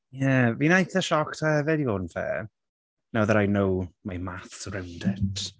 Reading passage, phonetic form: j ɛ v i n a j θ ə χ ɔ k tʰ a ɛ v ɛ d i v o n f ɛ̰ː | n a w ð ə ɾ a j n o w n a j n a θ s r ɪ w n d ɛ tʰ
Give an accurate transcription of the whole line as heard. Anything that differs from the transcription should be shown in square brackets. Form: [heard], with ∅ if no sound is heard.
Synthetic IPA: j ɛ v i n a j θ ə [ʃ] ɔ k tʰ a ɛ v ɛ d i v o n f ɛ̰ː | n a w ð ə ɾ a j n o w [m] a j [m] a θ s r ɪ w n d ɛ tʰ